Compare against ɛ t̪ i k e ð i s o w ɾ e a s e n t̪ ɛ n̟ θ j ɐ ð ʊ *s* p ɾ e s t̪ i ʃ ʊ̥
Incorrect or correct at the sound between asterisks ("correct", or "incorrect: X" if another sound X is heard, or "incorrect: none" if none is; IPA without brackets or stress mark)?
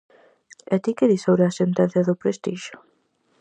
incorrect: none